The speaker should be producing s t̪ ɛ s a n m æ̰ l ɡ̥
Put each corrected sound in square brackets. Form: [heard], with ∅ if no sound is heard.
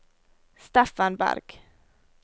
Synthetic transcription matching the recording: s t̪ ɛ [f] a n [b] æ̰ [ɾ] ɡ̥

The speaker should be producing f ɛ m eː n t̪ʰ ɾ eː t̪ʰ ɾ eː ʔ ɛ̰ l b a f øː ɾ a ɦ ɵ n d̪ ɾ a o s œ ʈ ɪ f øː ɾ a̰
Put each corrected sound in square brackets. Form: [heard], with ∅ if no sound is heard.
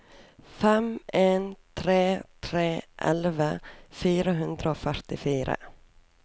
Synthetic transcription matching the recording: f ɛ m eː n t̪ʰ ɾ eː t̪ʰ ɾ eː ʔ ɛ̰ l [v] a f [yː] ɾ a ɦ ɵ n d̪ ɾ a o [f] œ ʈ ɪ f [yː] ɾ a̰

